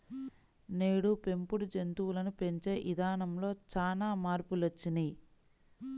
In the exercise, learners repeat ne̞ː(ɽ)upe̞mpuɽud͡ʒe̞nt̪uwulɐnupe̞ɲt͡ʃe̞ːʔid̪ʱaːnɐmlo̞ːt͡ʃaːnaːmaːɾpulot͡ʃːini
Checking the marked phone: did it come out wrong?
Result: no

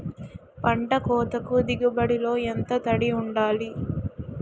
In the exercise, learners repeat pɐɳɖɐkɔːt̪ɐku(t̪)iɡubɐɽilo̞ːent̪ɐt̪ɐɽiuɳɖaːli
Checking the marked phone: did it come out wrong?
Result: yes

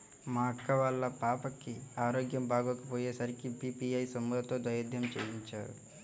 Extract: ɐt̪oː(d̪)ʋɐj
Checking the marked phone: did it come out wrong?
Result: no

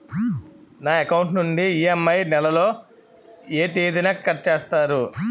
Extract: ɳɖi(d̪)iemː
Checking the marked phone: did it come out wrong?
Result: yes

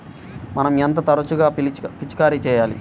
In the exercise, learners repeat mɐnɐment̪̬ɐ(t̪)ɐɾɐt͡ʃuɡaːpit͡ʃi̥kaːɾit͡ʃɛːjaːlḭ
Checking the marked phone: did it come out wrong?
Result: no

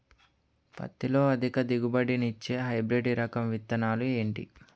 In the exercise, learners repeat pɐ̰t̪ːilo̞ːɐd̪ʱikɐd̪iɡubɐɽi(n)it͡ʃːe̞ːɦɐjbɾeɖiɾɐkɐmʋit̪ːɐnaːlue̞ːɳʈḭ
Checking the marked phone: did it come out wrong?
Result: no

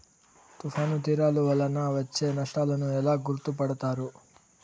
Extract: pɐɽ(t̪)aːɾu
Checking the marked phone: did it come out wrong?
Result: no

